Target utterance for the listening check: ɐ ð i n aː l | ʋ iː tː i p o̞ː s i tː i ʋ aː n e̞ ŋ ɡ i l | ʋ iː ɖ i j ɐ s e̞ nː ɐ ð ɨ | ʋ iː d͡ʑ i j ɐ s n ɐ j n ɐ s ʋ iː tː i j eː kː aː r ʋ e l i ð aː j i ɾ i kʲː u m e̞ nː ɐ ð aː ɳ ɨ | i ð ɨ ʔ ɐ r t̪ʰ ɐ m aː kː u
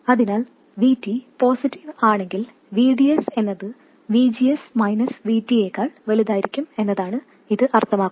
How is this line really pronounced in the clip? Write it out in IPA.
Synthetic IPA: ɐ ð i n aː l | ʋ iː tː i p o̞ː s i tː i ʋ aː ɳ e̞ ŋ ɡ i l | ʋ iː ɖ i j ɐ s e̞ nː ɐ ð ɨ | ʋ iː d͡ʑ i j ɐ s m ɐ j n ɐ s ʋ iː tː i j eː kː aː ɭ ʋ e l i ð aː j i ɾ i kʲː u m e̞ nː ɐ ð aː ɳ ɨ | i ð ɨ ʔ ɐ r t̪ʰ ɐ m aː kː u